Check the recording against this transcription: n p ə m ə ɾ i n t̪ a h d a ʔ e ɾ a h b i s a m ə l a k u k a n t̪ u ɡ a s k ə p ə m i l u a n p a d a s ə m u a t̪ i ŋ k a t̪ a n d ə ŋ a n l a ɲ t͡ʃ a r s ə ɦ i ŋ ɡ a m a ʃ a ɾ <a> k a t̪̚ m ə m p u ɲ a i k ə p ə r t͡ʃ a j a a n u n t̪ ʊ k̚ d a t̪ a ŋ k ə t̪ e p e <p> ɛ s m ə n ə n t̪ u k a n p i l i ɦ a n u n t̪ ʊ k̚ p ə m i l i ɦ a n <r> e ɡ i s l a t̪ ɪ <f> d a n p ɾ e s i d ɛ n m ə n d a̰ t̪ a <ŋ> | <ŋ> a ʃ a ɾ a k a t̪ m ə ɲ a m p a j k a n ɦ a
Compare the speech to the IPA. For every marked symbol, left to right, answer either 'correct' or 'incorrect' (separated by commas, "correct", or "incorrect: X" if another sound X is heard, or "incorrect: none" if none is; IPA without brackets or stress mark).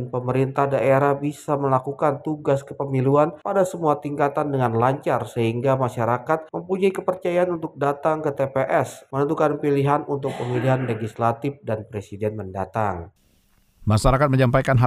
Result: correct, incorrect: ʔ, incorrect: l, correct, correct, incorrect: m